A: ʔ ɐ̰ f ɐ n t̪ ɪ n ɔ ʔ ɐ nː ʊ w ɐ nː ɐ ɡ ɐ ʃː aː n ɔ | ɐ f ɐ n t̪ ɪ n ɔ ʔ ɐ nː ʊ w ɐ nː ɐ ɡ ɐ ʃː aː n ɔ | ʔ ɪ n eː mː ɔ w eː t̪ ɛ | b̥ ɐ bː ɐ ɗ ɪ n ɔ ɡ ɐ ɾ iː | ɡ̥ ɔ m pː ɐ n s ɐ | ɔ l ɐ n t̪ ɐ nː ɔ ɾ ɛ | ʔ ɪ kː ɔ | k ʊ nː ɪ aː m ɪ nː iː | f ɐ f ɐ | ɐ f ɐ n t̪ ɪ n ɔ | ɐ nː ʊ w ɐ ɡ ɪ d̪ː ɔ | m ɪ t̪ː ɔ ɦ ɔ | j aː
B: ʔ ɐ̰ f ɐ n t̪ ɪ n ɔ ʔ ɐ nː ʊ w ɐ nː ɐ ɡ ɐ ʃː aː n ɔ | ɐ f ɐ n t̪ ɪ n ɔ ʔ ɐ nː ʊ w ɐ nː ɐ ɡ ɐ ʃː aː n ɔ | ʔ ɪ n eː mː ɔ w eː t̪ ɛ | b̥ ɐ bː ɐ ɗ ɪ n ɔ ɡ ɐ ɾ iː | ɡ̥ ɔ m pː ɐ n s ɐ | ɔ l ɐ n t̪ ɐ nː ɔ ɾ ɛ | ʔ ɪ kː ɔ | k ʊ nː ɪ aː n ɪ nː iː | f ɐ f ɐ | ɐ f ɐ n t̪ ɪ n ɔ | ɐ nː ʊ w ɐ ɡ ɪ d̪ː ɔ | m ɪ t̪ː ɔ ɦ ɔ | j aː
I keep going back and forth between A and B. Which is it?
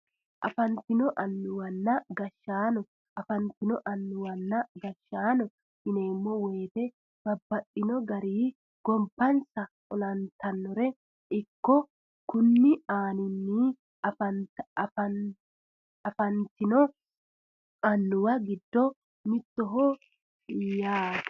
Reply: B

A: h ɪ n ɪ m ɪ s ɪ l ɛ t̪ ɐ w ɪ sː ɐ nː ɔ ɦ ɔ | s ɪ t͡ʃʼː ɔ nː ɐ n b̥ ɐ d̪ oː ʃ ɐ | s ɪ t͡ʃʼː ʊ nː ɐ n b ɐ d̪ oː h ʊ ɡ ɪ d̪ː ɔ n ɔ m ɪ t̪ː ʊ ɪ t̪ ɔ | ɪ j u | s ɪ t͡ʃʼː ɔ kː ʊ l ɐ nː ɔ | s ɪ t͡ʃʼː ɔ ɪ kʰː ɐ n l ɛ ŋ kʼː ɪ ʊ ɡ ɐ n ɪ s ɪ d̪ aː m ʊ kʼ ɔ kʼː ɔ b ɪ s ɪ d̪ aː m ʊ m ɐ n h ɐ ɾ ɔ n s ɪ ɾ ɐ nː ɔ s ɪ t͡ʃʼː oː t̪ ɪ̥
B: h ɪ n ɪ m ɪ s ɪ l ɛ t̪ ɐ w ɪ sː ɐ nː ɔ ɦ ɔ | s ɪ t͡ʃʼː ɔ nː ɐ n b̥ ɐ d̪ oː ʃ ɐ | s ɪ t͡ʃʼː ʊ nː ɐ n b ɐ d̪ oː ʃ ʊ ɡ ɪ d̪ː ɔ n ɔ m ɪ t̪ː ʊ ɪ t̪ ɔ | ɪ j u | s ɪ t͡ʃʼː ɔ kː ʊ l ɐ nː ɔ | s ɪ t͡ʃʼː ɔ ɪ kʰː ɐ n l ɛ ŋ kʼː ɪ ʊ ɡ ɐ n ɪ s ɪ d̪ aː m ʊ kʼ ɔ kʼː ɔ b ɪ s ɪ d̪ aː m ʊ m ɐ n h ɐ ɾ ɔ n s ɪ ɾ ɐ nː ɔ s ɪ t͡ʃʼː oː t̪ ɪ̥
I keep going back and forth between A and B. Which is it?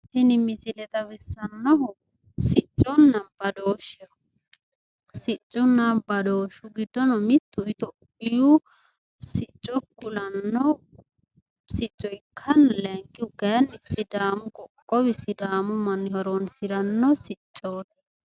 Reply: B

